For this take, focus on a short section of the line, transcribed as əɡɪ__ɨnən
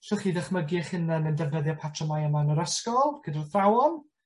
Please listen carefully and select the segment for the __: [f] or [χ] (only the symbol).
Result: χ